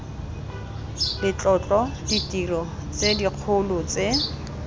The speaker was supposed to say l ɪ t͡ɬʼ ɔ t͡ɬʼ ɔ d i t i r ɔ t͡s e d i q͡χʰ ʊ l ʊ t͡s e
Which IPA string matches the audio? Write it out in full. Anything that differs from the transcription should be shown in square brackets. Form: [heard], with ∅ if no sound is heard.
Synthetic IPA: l ɪ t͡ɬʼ ɔ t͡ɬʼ ɔ d i t i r ɔ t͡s e d i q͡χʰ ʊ l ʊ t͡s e